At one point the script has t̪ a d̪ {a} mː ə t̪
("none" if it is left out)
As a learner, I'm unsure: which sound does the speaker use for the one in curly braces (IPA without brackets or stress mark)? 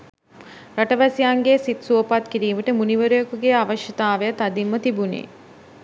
i